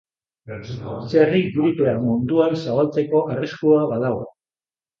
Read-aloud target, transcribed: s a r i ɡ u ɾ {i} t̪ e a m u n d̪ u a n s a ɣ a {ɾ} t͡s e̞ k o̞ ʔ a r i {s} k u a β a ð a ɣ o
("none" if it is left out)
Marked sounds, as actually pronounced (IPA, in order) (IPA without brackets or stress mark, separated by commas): i, l, s